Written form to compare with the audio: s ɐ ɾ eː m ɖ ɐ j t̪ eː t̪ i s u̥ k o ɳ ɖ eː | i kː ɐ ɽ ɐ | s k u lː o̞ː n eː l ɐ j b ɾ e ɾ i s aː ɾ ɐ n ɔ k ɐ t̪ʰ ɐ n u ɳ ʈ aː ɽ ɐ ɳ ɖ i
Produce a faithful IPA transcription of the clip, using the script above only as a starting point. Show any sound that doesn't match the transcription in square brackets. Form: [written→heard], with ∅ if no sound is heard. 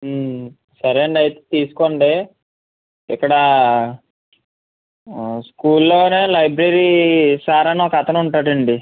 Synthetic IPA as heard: s ɐ ɾ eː [m→ɳ] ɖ ɐ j t̪ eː t̪ [i→iː] s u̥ k o ɳ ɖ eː | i kː ɐ ɽ ɐ | s k [u→uː] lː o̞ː n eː l ɐ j b ɾ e ɾ i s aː ɾ ɐ n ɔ k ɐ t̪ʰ ɐ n u ɳ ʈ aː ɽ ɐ ɳ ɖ i